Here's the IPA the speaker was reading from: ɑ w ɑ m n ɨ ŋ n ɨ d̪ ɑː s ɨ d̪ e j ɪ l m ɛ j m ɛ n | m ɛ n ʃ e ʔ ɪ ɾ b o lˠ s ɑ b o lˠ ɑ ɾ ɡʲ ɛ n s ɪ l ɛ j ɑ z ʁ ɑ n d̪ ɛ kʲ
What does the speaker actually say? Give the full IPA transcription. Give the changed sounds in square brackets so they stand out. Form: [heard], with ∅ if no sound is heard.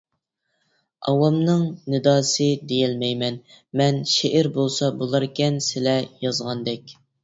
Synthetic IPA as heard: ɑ w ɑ m n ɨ ŋ n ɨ d̪ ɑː s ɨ d̪ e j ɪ l m ɛ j m ɛ n | m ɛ n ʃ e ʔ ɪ ɾ b o lˠ s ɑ b o lˠ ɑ ɾ [kʲ] ɛ n s ɪ l ɛ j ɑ z ʁ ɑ n d̪ ɛ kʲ